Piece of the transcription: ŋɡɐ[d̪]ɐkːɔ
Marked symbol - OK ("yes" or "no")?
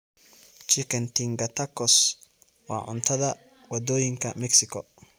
no